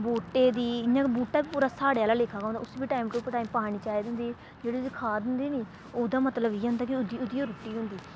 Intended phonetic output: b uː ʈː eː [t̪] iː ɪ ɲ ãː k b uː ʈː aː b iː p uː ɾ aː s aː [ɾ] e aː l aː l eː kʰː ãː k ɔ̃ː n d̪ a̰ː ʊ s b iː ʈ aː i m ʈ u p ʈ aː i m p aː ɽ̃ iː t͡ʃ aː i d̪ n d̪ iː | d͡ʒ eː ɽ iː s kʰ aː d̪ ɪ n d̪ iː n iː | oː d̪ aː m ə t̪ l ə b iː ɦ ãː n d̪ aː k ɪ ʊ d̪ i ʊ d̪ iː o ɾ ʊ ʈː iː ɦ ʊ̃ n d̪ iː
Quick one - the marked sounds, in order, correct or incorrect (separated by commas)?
incorrect, incorrect